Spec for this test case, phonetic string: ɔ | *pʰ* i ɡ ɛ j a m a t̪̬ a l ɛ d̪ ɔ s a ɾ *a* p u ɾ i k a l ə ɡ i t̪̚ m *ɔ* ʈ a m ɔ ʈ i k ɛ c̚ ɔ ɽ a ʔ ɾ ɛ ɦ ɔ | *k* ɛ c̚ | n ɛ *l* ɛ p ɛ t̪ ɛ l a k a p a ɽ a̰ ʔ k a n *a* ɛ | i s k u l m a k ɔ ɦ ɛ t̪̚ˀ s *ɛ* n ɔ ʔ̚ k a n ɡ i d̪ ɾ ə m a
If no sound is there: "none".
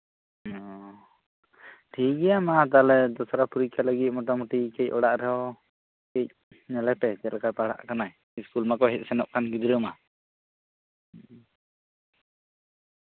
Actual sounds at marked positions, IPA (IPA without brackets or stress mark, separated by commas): ʈʰ, a, ɔ, k, l, a, ɛ